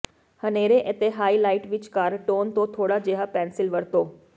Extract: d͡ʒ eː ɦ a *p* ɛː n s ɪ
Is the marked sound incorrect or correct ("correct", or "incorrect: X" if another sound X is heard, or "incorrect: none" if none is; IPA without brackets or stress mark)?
correct